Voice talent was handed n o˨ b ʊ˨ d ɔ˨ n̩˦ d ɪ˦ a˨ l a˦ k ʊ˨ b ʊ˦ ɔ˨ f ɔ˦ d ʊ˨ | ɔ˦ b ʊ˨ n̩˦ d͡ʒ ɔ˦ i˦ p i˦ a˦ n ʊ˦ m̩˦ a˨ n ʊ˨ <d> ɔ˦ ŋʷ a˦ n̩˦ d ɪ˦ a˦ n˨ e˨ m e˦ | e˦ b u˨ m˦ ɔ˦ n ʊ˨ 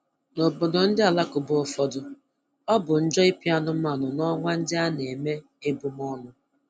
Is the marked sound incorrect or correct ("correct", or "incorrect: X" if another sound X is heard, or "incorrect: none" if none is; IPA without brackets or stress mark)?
incorrect: n